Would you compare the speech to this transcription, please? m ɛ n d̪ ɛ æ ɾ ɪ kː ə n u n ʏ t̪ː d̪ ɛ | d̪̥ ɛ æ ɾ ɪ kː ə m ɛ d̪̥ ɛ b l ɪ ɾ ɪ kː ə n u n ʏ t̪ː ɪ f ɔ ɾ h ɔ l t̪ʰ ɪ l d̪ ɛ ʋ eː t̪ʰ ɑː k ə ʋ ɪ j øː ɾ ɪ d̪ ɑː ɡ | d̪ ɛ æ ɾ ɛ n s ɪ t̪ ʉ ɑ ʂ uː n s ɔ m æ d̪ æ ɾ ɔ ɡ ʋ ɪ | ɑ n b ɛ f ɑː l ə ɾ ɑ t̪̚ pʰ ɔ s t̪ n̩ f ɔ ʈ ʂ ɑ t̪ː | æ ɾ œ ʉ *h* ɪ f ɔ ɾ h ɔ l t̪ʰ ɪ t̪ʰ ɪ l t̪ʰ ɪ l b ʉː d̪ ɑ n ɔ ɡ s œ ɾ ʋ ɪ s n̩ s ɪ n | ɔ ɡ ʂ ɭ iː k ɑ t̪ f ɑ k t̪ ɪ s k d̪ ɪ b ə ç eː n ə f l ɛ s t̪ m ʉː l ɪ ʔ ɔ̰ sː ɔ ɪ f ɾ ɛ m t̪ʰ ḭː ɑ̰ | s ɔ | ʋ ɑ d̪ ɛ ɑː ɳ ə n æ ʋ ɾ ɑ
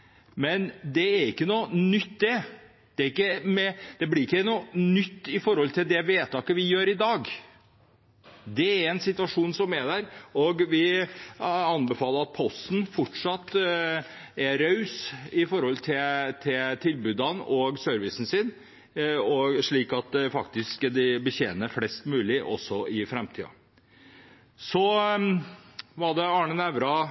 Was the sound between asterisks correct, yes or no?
no